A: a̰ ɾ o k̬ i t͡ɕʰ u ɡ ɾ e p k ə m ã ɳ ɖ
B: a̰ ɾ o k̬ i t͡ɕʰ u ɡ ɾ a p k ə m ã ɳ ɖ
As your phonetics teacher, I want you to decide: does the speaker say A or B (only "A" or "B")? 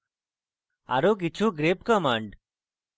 A